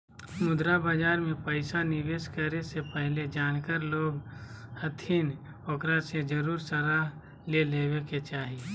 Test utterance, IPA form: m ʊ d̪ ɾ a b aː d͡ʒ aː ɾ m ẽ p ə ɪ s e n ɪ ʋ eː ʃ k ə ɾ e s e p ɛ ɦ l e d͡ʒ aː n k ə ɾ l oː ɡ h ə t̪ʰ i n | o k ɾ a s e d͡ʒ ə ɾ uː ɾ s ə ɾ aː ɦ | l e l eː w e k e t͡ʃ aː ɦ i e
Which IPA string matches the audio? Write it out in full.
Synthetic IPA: m ʊ d̪ ɾ a b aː d͡ʒ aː ɾ m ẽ p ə ɪ s a n ɪ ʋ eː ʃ k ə ɾ e s e p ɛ ɦ l e d͡ʒ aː n k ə ɾ l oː ɡ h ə t̪ʰ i n | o k ɾ a s e d͡ʒ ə ɾ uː ɾ s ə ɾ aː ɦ | l e l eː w e k e t͡ʃ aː ɦ i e